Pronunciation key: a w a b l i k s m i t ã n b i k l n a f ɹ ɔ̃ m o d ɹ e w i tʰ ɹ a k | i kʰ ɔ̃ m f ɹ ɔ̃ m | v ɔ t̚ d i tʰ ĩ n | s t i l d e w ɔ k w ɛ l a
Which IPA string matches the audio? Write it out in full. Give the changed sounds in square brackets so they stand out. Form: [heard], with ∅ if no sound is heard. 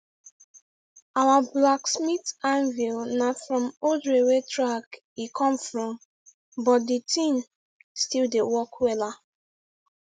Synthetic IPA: a w a b l [a] k s m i t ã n [v] i [∅] l n a f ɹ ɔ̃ m o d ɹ e w [e] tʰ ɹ a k | i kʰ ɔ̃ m f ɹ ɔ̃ m | [b] ɔ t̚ d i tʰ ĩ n | s t i l d e w ɔ k w ɛ l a